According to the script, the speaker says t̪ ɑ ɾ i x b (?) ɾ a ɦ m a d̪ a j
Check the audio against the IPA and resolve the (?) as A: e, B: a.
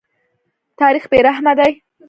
A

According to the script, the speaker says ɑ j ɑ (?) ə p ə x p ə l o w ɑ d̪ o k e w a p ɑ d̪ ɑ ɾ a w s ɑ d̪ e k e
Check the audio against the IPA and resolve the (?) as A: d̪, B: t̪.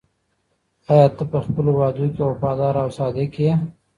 B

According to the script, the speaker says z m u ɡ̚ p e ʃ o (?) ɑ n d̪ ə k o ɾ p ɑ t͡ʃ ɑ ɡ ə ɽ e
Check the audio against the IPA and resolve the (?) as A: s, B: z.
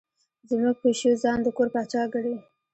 B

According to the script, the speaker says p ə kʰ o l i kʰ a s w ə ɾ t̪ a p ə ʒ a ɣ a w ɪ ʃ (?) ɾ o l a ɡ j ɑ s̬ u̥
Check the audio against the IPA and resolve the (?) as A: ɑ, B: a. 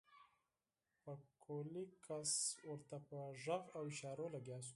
A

